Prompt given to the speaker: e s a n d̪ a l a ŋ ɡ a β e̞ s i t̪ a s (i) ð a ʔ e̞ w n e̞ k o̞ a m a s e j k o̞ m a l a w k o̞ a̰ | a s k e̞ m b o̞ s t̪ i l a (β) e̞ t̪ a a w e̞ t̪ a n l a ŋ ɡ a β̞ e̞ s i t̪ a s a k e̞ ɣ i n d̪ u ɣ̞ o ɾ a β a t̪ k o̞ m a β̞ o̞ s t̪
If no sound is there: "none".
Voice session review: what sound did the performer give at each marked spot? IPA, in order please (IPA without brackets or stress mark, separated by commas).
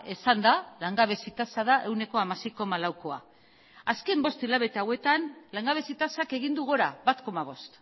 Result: a, β